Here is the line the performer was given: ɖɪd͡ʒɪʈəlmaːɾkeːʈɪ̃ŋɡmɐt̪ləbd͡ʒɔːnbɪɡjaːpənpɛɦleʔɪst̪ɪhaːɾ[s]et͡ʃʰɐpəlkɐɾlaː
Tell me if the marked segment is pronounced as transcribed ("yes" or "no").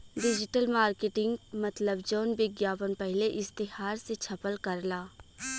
yes